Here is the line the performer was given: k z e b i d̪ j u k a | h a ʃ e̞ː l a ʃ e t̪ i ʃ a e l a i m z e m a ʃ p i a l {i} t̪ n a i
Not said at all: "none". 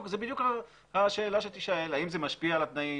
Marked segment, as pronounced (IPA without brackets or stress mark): a